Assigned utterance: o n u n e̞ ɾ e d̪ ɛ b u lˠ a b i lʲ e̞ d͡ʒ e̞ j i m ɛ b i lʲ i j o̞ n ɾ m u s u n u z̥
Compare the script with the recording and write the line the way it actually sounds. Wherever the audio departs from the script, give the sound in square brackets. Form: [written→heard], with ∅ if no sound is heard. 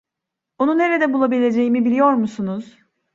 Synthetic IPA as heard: o n u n e̞ ɾ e d̪ ɛ b u lˠ a b i lʲ e̞ d͡ʒ e̞ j i m [ɛ→i] b i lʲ i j o̞ [n→∅] ɾ m u s u n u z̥